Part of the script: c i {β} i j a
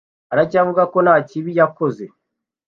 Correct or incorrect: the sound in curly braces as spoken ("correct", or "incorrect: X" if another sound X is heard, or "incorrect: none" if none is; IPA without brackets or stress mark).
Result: correct